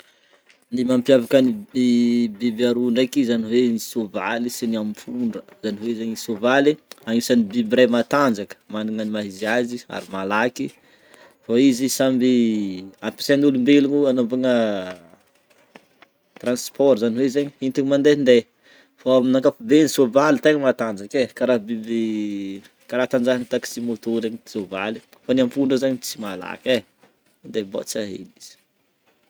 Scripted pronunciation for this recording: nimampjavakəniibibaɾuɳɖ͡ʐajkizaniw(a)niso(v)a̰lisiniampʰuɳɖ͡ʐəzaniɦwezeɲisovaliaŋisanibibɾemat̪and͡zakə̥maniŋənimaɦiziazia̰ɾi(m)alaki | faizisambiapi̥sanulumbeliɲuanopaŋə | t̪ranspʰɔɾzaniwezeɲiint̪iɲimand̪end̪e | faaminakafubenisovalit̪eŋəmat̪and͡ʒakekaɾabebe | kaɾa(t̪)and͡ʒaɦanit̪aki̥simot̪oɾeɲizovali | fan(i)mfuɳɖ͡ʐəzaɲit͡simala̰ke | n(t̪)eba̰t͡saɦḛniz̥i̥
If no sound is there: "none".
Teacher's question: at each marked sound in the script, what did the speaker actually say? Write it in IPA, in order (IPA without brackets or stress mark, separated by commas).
e, v, m, t̪, a, d̪